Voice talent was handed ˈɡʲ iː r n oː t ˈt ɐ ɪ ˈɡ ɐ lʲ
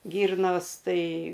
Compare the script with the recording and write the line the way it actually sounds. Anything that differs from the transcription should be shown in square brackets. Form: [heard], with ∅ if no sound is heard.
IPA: ˈɡʲ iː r n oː [s] ˈt ɐ ɪ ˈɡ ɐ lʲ